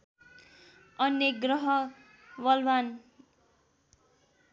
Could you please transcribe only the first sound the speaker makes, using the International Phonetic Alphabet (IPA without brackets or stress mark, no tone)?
ʌ